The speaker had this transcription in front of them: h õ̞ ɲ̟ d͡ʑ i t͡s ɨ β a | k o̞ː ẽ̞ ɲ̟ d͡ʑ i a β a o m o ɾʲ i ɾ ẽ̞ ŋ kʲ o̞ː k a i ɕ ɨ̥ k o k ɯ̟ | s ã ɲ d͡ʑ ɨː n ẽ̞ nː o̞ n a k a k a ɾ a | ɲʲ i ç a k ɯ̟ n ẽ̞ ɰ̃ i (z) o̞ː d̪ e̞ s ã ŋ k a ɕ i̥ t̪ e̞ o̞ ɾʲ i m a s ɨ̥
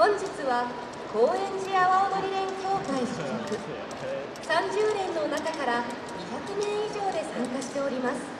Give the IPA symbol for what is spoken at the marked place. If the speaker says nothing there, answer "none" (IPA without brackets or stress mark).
ʑ